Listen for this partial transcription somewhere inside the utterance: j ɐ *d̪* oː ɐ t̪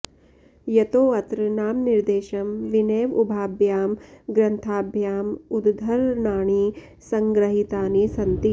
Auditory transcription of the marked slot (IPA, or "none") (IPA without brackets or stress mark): t̪